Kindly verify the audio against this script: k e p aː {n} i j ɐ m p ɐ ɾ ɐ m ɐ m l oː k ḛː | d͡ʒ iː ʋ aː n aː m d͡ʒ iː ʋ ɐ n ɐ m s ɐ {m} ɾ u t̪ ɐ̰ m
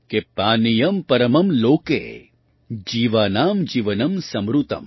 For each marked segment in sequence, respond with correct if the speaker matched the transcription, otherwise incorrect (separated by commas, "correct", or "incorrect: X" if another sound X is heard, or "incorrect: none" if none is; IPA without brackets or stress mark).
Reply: correct, correct